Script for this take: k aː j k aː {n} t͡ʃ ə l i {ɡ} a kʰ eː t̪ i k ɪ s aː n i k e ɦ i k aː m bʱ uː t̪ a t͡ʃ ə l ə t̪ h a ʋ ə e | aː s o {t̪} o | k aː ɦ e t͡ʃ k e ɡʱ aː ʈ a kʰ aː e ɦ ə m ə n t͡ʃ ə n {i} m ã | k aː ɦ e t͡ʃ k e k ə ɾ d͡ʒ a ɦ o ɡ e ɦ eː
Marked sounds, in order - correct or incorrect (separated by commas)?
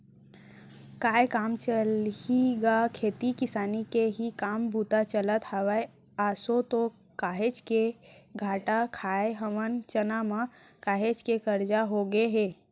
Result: incorrect, correct, correct, incorrect